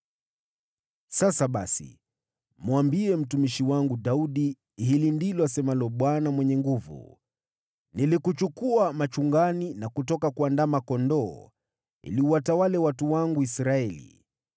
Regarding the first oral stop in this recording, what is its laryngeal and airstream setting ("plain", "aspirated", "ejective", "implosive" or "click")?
implosive